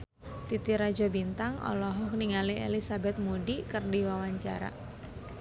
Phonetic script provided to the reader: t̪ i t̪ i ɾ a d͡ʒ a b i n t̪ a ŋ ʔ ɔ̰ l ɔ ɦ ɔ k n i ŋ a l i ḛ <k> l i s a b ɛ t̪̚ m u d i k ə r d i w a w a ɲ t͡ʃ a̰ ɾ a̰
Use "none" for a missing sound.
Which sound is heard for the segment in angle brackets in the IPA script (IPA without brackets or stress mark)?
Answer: none